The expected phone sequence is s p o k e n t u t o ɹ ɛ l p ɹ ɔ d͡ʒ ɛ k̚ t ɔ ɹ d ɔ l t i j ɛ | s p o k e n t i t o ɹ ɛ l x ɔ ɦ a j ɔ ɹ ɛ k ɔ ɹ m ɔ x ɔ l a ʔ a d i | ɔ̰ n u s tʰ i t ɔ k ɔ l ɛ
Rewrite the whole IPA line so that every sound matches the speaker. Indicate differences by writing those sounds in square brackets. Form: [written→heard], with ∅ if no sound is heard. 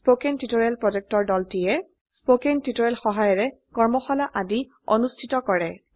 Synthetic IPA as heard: s p o k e n t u t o ɹ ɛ l p ɹ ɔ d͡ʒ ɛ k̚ t ɔ ɹ d ɔ l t i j ɛ | s p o k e n t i t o ɹ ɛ l x ɔ ɦ a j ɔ ɹ ɛ k ɔ ɹ m ɔ x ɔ l a ʔ a d i | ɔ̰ n u s tʰ i t ɔ k ɔ [l→ɹ] ɛ